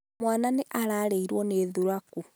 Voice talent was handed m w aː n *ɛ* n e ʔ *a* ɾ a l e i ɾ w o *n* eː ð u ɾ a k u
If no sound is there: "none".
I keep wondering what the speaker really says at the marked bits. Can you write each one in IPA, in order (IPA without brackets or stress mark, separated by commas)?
a, a, n